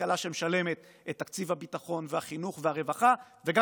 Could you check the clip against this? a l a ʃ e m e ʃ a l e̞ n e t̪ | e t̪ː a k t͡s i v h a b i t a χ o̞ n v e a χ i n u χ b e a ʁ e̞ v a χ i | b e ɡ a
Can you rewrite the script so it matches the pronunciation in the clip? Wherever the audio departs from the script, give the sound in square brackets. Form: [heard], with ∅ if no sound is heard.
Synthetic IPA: a l a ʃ e m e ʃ a l e̞ [m] e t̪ | e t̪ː a k t͡s i v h a b i t a χ o̞ n v e a χ i n u χ [v] e a ʁ e̞ v a χ [a] | [v] e ɡ a